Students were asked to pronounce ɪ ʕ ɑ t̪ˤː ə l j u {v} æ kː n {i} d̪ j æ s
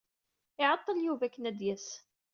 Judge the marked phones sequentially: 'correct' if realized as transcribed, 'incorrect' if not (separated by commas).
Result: correct, incorrect